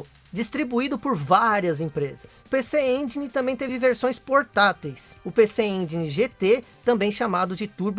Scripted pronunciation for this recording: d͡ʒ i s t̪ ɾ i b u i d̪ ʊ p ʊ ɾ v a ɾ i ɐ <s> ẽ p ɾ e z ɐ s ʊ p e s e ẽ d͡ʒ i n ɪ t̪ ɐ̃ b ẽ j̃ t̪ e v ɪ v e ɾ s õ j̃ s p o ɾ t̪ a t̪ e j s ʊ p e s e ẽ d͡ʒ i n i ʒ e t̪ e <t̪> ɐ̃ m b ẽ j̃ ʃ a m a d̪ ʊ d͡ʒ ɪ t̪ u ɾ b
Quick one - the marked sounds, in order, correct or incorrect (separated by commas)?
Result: incorrect, correct